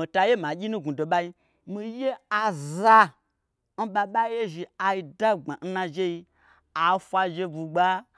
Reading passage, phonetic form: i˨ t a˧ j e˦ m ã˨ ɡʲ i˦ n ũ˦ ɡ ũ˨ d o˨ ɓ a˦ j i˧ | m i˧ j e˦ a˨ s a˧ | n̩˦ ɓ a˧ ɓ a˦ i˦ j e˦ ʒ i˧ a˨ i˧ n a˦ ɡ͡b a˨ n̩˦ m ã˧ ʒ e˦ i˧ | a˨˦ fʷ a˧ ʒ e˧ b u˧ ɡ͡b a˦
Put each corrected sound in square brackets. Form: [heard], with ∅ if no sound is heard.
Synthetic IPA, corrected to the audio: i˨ t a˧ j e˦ m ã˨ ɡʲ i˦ n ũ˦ ɡ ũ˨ d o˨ ɓ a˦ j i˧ | m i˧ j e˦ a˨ [z] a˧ | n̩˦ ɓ a˧ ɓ a˦ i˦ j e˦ ʒ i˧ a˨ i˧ [d] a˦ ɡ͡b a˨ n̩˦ [n] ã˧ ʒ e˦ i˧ | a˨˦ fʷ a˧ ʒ e˧ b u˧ ɡ͡b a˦